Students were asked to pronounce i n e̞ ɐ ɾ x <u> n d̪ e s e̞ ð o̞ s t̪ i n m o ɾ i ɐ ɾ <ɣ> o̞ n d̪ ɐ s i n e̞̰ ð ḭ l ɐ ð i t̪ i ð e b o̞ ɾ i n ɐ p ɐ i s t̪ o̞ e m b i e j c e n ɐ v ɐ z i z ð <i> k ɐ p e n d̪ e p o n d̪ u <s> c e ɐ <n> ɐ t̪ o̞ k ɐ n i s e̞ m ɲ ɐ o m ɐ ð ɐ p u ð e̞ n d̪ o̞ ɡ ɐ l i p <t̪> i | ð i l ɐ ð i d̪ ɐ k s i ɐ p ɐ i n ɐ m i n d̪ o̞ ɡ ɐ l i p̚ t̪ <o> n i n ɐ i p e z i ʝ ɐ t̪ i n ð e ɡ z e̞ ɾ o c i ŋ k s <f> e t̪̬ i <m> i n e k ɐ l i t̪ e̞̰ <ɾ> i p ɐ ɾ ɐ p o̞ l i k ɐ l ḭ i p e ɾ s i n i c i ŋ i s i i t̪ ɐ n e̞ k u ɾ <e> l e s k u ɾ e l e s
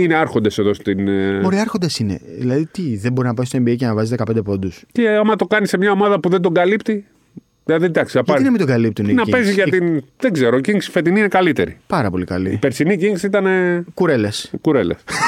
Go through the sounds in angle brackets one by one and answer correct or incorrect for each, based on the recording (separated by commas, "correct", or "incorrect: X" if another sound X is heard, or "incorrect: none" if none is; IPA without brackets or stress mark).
incorrect: o, incorrect: x, incorrect: e, correct, incorrect: m, correct, incorrect: u, correct, incorrect: n, correct, correct